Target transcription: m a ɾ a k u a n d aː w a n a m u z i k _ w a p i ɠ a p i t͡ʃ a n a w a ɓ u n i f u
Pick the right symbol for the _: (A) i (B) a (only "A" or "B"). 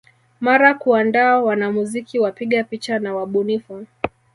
A